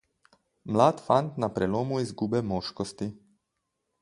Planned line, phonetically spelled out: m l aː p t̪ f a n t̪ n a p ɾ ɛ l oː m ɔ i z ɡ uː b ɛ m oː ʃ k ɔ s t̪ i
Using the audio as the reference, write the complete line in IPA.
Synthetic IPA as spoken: m l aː t̪ f a n t̪ n a p ɾ ɛ l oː m u i z ɡ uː b ɛ m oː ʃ k ɔ s t̪ i

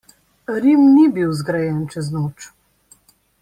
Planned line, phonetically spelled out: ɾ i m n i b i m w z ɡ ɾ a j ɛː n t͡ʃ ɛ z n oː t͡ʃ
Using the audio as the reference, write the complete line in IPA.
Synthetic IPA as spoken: ɾ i m n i b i w z ɡ ɾ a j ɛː n t͡ʃ ɛ z n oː t͡ʃ

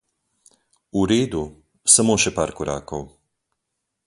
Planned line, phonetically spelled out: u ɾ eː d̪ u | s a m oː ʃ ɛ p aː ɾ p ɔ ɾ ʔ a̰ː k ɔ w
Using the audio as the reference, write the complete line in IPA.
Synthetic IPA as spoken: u ɾ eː d̪ u | s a m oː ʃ ɛ p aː ɾ k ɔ ɾ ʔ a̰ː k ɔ w

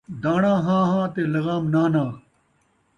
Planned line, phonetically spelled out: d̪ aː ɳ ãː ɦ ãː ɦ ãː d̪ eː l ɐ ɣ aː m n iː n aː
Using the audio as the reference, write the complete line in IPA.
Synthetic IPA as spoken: d̪ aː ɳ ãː ɦ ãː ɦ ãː t̪ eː l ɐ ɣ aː m n aː n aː

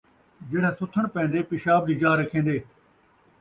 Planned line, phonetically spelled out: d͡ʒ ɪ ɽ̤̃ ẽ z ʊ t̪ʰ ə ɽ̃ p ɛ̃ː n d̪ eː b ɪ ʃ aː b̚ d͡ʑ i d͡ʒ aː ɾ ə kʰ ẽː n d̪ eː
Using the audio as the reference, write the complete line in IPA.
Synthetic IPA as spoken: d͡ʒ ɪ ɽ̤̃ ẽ s ʊ t̪ʰ ə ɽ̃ p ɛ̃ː n d̪ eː p ɪ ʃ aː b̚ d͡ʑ i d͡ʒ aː ɾ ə kʰ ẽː n d̪ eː

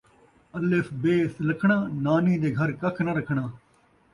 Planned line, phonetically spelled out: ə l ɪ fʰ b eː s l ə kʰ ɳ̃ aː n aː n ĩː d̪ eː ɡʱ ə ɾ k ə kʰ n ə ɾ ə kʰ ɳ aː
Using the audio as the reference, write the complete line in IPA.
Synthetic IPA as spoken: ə l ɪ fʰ b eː s l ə kʰ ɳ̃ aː n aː n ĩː d̪ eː ɡʱ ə ɾ k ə kʰ n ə ɾ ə kʰ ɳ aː

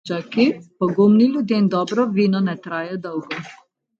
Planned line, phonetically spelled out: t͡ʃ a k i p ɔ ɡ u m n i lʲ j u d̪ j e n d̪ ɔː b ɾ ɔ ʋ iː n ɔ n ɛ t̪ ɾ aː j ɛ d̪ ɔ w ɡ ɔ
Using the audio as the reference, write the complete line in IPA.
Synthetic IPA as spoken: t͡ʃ a k i p ɔ ɡ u m n i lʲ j u d̪ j e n d̪ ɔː b ɾ ɔ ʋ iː n ɔ n ɛ t̪ ɾ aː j ɛ d̪ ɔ w ɡ ɔ

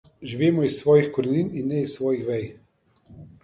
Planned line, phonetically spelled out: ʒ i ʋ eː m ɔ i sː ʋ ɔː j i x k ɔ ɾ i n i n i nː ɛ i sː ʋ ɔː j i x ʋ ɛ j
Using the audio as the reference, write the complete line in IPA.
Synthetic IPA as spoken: ʒ i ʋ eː m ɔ i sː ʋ ɔː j i x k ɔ ɾ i n i n i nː ɛ i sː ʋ ɔː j i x ʋ ɛ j

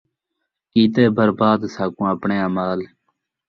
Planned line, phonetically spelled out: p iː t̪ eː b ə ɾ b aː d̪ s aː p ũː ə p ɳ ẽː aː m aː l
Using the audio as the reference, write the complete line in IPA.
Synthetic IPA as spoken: k iː t̪ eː b ə ɾ b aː d̪ s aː k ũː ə p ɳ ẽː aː m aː l

